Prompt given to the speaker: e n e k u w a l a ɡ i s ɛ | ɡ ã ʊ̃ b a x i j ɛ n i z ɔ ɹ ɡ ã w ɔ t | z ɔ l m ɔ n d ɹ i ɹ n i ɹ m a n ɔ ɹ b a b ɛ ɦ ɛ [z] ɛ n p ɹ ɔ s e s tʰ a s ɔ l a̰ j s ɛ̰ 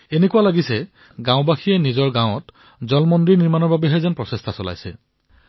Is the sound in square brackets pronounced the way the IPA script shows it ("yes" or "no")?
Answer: yes